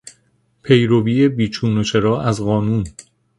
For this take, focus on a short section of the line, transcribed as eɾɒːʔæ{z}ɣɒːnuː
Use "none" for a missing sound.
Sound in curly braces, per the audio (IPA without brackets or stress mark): z